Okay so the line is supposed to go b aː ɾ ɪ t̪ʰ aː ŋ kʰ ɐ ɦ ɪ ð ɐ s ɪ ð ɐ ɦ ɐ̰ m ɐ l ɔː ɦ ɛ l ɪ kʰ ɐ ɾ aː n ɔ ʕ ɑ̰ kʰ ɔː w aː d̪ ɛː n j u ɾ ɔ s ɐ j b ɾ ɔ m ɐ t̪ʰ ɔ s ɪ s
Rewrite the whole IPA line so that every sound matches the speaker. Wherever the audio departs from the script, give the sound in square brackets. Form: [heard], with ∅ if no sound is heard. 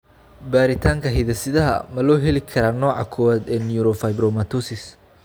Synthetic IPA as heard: b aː ɾ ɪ t̪ʰ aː ŋ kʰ ɐ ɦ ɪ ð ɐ s ɪ ð ɐ ɦ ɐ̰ m ɐ l ɔː ɦ ɛ l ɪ kʰ ɐ ɾ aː n [ɔː] ʕ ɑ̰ kʰ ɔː w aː d̪ ɛː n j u ɾ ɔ [f] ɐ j b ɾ ɔ m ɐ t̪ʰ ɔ s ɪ s